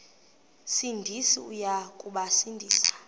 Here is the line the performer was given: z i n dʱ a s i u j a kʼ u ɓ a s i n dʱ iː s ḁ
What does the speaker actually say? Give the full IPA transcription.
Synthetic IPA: s i n dʱ i s i u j a kʼ u ɓ a s i n dʱ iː s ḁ